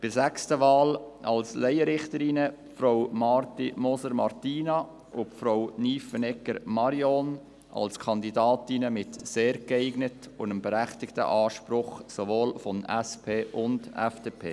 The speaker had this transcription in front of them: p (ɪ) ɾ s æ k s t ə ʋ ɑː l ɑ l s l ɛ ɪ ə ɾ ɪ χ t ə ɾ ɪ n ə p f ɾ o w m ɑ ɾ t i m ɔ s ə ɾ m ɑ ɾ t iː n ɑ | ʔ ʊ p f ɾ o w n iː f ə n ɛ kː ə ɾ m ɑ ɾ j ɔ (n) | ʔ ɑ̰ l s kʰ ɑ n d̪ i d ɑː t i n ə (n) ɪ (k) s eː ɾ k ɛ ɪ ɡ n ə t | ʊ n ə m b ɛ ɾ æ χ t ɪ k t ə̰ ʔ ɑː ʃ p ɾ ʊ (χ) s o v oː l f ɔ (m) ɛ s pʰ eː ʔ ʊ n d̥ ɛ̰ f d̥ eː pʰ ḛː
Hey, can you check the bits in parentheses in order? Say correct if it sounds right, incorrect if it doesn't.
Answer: correct, correct, incorrect: m, incorrect: t, correct, incorrect: n

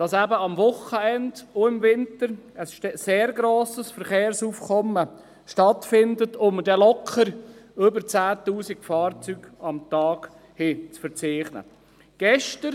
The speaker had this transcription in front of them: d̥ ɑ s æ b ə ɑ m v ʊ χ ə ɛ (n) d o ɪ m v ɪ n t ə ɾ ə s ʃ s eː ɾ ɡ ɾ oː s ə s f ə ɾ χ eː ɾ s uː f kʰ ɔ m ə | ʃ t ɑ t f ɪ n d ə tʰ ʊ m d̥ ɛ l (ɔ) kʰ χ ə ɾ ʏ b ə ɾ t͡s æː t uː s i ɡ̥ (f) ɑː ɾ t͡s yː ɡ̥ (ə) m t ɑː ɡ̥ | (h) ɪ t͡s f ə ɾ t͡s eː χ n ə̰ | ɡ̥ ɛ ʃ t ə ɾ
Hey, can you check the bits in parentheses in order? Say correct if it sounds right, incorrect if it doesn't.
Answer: correct, correct, correct, incorrect: ɑ, correct

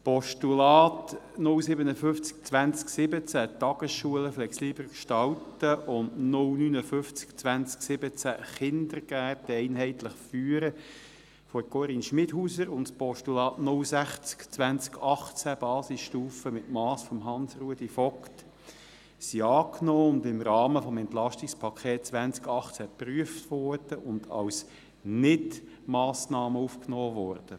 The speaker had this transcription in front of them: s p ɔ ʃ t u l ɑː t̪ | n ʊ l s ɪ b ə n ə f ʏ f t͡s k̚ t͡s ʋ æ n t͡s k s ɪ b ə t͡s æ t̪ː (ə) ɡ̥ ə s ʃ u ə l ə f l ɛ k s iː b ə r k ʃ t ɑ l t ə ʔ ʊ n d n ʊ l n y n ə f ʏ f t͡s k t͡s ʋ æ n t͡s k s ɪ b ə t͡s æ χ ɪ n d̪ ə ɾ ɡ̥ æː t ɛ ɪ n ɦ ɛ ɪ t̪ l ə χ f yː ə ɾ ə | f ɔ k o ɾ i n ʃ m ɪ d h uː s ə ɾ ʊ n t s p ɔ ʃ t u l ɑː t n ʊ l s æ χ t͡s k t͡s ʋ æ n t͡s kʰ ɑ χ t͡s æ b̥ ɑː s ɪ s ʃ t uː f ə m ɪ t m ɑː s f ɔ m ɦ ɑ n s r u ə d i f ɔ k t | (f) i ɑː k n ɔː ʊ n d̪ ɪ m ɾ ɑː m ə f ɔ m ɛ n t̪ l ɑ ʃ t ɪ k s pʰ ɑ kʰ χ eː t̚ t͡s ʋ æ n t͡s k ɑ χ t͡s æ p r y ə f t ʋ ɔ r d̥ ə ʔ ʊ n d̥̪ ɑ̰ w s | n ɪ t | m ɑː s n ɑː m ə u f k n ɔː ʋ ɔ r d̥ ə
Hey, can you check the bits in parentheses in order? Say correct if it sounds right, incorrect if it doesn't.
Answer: incorrect: ɑ, incorrect: s

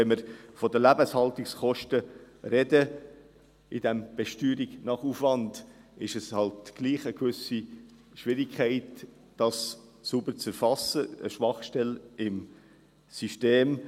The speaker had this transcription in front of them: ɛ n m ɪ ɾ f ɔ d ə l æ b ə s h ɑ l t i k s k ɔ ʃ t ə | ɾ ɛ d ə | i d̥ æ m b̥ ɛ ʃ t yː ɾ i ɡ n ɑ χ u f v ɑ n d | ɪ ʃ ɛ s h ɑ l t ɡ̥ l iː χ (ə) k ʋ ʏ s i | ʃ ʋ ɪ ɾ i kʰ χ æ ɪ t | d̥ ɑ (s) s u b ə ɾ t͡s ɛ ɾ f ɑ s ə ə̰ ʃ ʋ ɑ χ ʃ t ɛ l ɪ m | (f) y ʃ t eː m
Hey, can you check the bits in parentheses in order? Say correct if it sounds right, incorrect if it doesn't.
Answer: correct, correct, incorrect: s

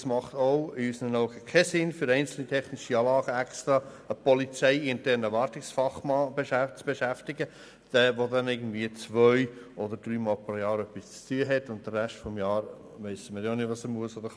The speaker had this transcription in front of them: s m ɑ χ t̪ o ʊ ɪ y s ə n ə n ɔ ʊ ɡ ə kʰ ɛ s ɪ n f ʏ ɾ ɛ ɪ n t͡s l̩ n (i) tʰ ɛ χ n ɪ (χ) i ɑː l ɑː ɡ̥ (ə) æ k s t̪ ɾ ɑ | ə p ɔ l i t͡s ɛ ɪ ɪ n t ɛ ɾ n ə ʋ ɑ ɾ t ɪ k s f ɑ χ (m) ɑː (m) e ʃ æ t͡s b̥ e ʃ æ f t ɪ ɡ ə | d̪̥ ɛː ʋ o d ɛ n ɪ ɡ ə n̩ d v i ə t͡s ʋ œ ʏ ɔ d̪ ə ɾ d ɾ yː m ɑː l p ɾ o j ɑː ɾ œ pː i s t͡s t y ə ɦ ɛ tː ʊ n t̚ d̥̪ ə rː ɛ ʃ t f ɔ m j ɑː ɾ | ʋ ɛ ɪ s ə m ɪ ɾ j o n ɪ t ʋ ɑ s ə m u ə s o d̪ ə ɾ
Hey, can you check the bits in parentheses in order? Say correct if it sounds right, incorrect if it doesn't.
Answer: correct, incorrect: ʃ, correct, correct, incorrect: b

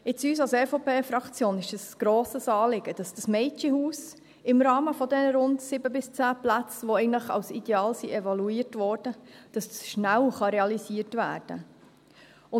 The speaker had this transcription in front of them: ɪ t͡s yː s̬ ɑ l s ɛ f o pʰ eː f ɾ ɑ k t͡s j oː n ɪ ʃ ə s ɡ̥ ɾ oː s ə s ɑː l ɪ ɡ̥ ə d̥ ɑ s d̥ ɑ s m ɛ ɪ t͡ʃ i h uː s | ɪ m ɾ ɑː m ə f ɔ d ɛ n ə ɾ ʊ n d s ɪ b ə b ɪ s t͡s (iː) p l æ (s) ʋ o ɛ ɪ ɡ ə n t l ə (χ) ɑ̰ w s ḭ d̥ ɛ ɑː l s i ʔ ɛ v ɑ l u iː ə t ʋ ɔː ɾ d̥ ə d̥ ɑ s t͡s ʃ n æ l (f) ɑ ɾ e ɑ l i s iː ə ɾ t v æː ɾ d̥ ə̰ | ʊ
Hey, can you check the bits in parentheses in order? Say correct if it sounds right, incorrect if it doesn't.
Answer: incorrect: æː, incorrect: t͡s, correct, incorrect: χ

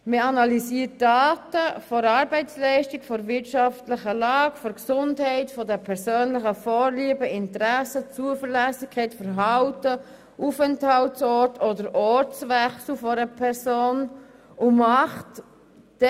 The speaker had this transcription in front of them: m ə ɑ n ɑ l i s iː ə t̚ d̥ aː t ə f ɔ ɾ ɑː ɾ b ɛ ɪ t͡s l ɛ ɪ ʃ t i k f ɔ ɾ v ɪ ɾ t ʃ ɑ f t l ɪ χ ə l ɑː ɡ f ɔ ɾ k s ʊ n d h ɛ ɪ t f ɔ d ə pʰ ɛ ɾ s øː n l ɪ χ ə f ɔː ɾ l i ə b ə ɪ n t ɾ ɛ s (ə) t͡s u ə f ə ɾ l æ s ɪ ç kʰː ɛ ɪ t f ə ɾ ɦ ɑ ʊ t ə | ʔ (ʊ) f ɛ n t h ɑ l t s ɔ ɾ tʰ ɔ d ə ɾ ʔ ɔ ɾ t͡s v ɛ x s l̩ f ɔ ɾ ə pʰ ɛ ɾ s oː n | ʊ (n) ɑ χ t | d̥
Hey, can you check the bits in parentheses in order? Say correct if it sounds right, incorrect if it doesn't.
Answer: correct, incorrect: u, incorrect: m

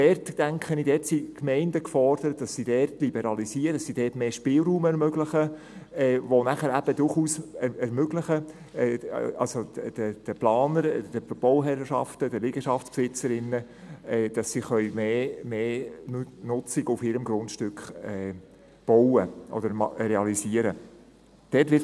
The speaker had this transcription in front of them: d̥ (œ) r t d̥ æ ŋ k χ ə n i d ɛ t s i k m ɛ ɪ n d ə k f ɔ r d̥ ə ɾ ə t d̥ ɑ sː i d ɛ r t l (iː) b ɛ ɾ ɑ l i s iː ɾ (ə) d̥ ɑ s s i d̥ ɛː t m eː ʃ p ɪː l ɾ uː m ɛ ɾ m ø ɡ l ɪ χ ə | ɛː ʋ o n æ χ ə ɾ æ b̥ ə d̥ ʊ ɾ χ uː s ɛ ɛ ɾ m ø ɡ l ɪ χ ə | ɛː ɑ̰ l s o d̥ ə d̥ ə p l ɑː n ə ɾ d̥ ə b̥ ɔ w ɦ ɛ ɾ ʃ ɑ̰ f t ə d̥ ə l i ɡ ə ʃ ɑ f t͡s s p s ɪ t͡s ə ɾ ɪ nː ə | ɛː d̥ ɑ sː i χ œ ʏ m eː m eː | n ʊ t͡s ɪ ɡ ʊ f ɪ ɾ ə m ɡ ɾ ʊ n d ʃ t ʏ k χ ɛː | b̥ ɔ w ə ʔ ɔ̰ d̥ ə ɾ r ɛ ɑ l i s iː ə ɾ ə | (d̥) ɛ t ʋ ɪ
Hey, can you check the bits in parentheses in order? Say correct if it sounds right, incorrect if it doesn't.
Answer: incorrect: ɛ, incorrect: i, correct, correct

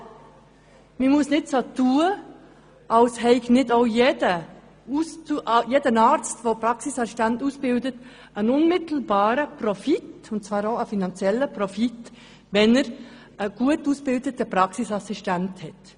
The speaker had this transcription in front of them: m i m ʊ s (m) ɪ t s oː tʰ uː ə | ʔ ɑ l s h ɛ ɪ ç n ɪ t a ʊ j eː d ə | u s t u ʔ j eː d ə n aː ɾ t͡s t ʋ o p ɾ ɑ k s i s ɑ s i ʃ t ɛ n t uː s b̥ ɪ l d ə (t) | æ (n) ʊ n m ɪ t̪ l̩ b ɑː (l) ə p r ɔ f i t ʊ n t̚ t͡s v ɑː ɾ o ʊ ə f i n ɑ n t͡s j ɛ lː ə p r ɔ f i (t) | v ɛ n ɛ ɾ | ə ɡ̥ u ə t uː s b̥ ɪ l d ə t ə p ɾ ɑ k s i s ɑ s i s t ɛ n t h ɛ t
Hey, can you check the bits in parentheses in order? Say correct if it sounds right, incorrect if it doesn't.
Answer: incorrect: n, correct, correct, incorrect: ɾ, correct

